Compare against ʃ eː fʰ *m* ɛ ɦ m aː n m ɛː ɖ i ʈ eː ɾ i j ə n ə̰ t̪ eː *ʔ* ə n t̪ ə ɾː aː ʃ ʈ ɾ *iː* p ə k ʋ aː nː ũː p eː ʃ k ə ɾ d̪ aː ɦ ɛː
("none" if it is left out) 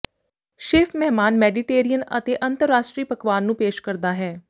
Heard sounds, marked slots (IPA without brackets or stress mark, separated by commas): m, ʔ, iː